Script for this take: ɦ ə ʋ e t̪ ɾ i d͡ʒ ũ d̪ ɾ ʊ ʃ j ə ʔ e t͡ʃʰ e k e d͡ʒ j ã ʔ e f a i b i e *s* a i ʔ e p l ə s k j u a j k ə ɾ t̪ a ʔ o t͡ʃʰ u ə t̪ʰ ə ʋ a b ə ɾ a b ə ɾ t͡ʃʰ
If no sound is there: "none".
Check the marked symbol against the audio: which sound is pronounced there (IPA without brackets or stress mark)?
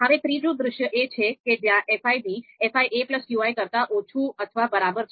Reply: f